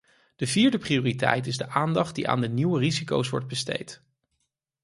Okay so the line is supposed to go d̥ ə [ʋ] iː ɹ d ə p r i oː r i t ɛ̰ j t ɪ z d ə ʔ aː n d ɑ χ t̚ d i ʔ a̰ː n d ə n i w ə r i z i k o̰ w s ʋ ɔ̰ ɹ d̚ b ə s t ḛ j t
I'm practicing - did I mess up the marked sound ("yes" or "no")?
yes